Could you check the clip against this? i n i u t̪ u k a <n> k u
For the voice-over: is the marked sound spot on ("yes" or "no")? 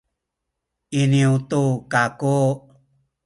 no